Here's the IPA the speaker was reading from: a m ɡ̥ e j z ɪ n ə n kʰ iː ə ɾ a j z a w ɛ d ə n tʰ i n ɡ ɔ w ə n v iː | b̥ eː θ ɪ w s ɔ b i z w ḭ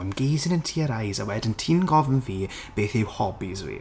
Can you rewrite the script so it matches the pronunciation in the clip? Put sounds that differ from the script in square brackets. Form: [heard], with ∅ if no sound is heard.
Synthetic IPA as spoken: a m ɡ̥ e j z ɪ n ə n [tʰ] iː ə ɾ a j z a w ɛ d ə n tʰ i n ɡ ɔ [v] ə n v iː | b̥ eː θ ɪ w [h] ɔ b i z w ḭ